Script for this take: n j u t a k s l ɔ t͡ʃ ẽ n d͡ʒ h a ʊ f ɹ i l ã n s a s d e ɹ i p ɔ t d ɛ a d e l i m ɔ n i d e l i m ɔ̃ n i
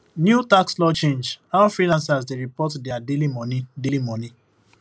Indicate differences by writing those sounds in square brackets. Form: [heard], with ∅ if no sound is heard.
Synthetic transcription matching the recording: n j u t a k s l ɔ t͡ʃ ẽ n d͡ʒ h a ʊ f ɹ i l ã n s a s d e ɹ i p ɔ t d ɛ a d e l i m ɔ n i d e l i m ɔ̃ n i